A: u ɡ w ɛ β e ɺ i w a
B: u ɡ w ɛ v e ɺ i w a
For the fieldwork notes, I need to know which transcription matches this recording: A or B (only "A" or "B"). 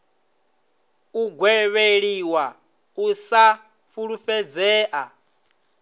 A